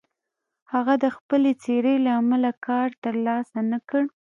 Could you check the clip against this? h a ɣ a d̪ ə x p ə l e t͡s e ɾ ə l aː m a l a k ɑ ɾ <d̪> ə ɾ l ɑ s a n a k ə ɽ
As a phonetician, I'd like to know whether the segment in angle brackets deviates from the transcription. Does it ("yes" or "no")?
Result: yes